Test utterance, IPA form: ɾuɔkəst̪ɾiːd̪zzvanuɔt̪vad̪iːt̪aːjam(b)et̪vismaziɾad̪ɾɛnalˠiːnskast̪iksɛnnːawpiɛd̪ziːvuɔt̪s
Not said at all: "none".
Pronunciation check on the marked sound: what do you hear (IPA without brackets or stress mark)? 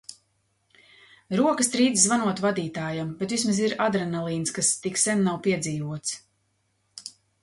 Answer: b